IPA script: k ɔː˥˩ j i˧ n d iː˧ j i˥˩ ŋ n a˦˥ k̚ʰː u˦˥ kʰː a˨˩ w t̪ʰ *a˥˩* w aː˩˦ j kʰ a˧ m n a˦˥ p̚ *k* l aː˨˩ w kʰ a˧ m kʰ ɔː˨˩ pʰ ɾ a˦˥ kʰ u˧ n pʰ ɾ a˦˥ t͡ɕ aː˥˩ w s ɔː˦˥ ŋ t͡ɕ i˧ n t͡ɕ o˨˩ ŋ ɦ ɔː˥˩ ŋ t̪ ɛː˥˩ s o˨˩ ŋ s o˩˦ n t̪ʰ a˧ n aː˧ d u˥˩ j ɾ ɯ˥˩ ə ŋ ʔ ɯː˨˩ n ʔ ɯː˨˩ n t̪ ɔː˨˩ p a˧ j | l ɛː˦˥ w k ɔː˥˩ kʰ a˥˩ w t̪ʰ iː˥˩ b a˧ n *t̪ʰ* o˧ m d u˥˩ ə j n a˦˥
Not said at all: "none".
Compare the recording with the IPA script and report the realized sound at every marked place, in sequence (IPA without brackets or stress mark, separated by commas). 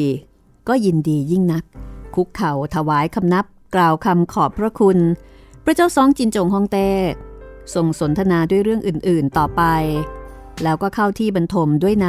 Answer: a˧, k, t̪ʰ